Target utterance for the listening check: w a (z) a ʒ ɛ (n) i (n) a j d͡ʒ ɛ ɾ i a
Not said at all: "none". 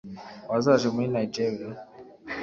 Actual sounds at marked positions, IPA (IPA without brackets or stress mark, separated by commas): z, m, n